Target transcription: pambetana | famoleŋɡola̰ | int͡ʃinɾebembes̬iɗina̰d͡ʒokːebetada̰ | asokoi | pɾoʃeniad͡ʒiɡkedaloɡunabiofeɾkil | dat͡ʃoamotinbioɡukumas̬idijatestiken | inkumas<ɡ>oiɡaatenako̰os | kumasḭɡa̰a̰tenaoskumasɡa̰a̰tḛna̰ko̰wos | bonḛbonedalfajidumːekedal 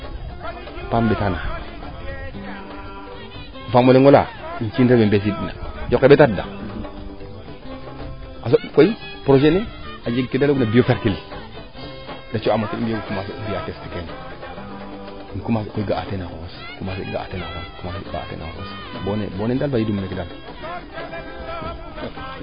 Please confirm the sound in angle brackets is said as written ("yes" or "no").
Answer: no